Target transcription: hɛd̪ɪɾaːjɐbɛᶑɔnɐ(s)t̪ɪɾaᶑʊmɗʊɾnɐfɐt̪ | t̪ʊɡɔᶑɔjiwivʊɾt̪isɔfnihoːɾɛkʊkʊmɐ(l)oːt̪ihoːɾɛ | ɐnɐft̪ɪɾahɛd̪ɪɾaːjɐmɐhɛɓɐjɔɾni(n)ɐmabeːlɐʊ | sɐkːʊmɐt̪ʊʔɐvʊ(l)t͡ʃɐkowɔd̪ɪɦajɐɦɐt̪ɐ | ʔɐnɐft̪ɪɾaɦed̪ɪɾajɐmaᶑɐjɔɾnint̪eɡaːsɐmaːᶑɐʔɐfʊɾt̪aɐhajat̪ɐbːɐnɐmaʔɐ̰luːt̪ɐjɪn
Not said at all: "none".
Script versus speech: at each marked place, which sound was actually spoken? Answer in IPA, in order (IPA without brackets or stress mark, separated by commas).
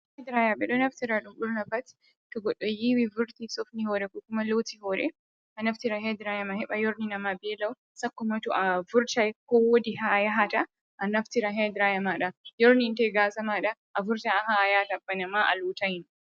f, l, n, ɾ